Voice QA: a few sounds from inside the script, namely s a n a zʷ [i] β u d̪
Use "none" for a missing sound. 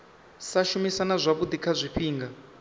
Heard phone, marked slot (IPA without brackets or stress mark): a